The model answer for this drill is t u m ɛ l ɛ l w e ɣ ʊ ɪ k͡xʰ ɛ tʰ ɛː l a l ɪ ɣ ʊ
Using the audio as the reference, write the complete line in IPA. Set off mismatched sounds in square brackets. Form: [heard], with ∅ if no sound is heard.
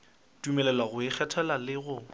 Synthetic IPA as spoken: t u m ɛ l ɛ l w [a] ɣ ʊ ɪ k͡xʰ ɛ tʰ [ɛ] l a l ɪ ɣ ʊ